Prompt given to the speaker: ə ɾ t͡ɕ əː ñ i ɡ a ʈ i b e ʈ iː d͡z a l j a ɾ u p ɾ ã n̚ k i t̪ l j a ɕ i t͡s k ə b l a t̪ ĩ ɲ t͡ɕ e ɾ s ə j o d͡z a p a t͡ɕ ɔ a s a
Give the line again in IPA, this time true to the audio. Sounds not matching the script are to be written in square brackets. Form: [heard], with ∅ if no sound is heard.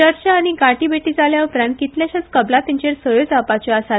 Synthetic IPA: ə ɾ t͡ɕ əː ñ i ɡ a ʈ i b e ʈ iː d͡z a l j a [∅] u p ɾ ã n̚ k i t̪ l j a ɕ [a] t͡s k ə b l a t̪ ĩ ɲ t͡ɕ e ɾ s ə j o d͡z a p a t͡ɕ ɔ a s a